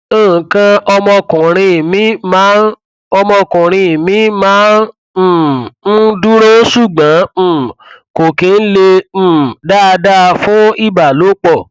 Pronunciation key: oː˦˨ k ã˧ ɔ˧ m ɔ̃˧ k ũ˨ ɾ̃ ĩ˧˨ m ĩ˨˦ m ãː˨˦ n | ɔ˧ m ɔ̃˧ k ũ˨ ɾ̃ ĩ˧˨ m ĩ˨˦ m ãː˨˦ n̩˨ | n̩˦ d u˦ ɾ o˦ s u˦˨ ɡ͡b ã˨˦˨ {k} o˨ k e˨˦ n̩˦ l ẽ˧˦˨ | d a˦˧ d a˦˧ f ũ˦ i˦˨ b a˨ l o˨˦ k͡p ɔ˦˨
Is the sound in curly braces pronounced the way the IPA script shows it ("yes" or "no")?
yes